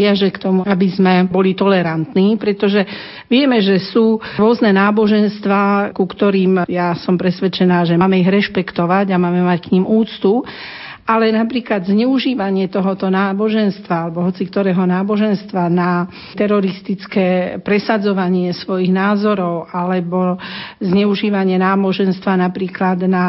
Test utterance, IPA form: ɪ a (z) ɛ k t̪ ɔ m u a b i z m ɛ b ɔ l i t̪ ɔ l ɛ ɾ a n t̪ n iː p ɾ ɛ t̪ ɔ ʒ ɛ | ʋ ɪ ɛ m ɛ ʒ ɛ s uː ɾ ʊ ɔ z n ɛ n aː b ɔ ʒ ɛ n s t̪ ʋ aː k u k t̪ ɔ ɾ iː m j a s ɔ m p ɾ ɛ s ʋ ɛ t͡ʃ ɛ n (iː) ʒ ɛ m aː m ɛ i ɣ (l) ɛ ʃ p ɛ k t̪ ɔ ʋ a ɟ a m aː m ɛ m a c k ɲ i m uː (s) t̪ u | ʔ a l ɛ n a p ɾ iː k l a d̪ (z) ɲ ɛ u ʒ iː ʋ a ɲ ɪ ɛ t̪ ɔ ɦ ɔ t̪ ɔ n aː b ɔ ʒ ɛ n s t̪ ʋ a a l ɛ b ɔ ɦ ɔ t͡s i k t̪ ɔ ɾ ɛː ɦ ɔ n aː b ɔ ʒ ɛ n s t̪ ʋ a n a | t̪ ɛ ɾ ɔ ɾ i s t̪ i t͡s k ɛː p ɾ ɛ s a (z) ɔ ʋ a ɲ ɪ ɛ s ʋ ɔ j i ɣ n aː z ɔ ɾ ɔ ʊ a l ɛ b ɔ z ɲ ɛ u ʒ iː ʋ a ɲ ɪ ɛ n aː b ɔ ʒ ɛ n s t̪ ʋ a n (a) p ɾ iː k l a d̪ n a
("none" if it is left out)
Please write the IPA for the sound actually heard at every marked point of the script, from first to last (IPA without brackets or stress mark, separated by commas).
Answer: ʒ, aː, ɾ, t͡s, z, d͡z, a